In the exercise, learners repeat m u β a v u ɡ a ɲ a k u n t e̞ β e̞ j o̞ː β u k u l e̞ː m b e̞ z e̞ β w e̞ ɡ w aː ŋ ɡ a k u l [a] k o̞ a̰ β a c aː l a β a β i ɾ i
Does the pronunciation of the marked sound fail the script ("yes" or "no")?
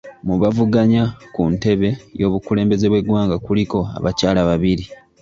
yes